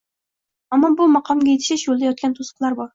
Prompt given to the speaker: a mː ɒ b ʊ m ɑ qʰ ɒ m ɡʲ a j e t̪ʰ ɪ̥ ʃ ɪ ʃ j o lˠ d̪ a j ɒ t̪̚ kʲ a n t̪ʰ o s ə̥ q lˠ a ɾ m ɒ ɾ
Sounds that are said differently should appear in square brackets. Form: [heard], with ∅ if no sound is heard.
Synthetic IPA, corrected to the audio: a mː ɒ b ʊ m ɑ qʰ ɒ m ɡʲ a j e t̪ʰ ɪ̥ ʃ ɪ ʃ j o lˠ d̪ a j ɒ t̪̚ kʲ a n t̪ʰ o s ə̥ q lˠ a ɾ [b] ɒ ɾ